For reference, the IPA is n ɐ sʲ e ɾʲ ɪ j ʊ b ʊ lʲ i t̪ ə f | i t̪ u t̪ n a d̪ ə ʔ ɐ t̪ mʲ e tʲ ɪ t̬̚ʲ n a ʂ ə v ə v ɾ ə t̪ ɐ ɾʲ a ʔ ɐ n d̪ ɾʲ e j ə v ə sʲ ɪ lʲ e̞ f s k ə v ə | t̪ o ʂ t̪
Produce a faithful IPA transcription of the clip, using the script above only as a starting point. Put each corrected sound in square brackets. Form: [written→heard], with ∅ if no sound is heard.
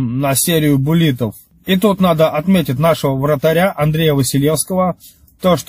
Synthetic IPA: n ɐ sʲ e ɾʲ ɪ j ʊ b ʊ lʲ i t̪ ə f | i t̪ u t̪ n a d̪ ə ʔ ɐ t̪ mʲ e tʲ ɪ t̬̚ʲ n a ʂ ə v ə v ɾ ə t̪ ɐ ɾʲ a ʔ ɐ n d̪ ɾʲ e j ə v ə sʲ ɪ lʲ e̞ f s k ə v ə | t̪ o ʂ t̪